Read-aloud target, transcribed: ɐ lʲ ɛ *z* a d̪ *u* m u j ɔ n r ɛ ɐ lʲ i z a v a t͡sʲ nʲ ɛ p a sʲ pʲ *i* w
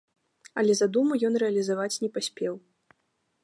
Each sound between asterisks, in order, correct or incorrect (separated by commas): correct, correct, incorrect